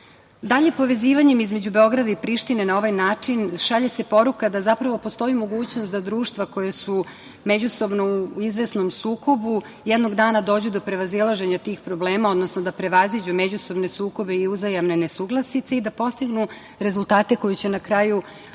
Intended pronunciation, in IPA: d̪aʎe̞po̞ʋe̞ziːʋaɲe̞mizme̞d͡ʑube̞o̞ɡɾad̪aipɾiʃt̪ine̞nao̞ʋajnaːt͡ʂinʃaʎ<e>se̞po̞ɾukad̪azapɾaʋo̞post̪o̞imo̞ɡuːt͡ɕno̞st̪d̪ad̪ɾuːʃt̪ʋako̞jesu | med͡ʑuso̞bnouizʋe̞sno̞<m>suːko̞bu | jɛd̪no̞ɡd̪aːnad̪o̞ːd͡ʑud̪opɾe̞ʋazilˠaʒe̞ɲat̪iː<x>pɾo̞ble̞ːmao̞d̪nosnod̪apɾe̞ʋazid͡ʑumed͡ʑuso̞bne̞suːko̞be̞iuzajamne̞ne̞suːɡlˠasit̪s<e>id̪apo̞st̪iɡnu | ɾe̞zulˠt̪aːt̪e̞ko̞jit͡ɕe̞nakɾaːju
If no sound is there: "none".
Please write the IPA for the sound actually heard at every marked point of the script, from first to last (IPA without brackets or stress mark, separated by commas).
e, m, x, e